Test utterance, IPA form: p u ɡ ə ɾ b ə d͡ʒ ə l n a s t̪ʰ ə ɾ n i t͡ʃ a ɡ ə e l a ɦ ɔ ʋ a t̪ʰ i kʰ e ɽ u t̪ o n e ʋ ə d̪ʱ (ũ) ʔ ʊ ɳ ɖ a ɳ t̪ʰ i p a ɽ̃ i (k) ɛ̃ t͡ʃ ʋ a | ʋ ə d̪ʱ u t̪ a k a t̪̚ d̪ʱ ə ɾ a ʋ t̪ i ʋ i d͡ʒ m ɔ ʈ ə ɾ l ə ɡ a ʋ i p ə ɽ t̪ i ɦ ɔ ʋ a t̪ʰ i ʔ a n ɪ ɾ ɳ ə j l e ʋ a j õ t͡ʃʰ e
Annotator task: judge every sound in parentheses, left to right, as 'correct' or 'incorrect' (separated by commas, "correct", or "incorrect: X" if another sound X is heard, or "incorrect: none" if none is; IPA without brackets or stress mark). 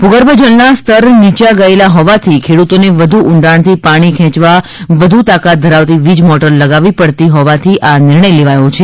incorrect: u, incorrect: kʰ